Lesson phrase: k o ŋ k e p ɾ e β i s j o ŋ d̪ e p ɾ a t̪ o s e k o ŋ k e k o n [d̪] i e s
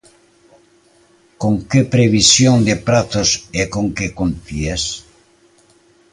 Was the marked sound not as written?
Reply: yes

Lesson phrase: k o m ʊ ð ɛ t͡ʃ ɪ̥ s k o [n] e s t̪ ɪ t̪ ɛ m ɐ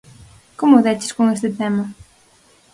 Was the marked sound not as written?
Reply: yes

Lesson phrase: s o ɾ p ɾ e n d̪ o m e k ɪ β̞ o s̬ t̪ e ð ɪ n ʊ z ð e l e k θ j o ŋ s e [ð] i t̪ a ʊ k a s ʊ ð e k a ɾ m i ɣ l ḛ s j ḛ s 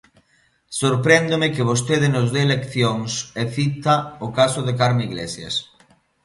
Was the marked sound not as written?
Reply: yes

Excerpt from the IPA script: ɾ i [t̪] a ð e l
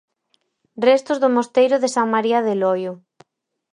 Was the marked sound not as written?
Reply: yes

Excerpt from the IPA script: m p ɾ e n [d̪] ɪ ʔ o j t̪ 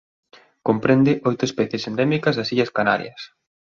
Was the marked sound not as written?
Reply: no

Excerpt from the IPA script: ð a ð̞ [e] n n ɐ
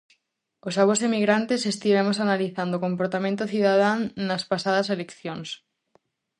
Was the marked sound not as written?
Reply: yes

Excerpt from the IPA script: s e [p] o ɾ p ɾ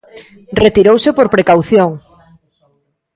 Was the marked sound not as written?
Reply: no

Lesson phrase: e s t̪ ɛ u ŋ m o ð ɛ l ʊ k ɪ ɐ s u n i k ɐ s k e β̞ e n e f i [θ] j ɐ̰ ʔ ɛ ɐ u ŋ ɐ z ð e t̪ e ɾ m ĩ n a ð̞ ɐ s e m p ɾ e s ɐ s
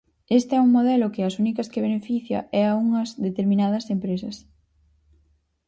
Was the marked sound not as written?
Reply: no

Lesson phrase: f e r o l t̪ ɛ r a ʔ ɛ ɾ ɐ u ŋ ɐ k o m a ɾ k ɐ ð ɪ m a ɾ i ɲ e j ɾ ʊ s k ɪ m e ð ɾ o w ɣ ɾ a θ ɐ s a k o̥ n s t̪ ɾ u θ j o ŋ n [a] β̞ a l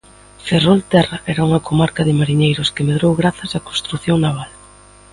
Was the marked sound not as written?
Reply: no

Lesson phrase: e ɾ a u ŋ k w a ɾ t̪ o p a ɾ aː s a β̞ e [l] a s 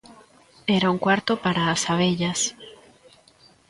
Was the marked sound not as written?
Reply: yes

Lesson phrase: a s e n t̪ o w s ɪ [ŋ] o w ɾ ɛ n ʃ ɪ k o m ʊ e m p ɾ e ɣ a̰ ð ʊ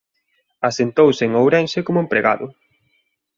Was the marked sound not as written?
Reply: no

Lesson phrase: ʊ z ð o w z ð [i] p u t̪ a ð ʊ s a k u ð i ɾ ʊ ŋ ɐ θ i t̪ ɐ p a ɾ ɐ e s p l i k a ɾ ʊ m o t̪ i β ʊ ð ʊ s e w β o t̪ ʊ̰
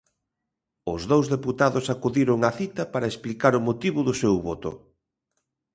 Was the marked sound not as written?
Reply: yes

